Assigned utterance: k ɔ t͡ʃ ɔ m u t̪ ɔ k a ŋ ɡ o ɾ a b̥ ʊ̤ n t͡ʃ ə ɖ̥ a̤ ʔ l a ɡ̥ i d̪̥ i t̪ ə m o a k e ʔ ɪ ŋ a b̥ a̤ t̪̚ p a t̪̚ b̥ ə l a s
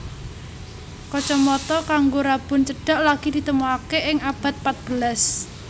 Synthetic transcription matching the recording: k ɔ t͡ʃ ɔ m ɔ t̪ ɔ k a ŋ ɡ o ɾ a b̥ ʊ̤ n t͡ʃ ə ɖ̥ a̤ ʔ l a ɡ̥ i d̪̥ i t̪ ə m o a k e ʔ ɪ ŋ a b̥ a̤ t̪̚ p a t̪̚ b̥ ə l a s